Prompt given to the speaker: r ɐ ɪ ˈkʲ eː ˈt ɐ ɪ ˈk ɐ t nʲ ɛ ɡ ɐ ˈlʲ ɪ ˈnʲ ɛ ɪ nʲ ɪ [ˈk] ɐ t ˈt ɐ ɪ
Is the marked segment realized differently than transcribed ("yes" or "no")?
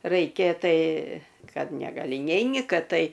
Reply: no